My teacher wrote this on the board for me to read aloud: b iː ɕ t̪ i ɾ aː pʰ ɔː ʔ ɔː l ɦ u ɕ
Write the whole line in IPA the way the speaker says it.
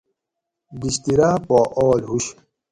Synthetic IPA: b i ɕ t̪ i ɾ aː p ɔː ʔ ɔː l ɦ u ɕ

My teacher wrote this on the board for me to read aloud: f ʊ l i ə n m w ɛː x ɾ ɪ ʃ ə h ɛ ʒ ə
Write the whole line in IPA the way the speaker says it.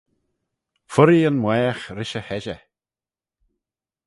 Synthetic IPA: f ʊ ɾ i ə n m w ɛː x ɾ ɪ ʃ ə h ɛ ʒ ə

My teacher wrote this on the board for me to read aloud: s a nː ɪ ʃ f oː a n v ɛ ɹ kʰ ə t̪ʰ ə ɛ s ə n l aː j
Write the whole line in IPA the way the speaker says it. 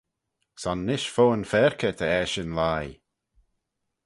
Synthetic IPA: s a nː ɪ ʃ f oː ə n f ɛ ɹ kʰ ə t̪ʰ ə ɛ ʃ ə n l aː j

